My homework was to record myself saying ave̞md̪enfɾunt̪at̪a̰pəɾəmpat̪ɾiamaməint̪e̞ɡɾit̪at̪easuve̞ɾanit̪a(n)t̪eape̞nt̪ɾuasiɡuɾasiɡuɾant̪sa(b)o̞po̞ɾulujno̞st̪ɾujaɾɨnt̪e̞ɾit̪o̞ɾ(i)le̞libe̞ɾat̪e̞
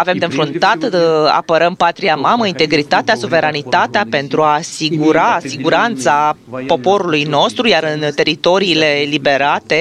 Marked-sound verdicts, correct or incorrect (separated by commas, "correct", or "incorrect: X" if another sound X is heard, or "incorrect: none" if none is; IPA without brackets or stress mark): incorrect: none, incorrect: p, incorrect: iː